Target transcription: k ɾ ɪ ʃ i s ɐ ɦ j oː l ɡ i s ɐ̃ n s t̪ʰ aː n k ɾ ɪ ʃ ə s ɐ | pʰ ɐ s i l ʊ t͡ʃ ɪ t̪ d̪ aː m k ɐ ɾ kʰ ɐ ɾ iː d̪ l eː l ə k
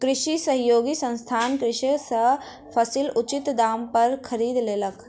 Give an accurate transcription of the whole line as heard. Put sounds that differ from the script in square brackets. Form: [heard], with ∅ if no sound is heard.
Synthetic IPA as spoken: k ɾ ɪ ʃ i s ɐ ɦ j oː [∅] ɡ i s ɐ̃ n s t̪ʰ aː n k ɾ ɪ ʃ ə s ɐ | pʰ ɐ s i l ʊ t͡ʃ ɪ t̪ d̪ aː m [p] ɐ ɾ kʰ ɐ ɾ iː d̪ l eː l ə k